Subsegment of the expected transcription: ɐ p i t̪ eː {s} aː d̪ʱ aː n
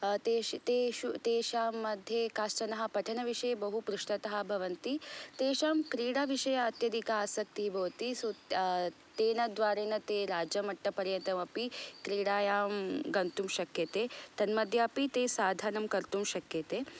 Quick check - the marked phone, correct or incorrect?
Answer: correct